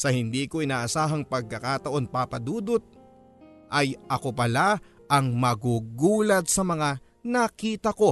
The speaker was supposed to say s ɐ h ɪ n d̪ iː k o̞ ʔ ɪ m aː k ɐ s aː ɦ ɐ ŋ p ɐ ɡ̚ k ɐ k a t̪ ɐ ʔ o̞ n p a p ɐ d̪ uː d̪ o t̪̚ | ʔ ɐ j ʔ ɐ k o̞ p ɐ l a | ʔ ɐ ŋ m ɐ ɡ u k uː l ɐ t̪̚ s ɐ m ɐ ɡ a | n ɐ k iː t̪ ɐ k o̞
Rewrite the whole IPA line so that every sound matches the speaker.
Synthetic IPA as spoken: s ɐ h ɪ n d̪ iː k o̞ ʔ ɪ n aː ʔ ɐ s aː ɦ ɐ ŋ p ɐ ɡ̚ k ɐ k a t̪ ɐ ʔ o̞ n p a p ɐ d̪ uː d̪ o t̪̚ | ʔ ɐ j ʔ ɐ k o̞ p ɐ l a | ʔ ɐ ŋ m ɐ ɡ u ɡ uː l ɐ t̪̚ s ɐ m ɐ ŋ a | n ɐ k iː t̪ ɐ k o̞